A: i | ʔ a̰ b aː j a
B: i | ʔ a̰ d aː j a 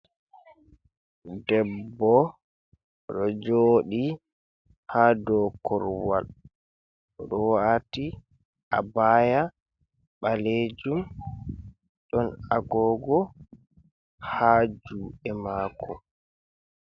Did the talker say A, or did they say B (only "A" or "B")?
A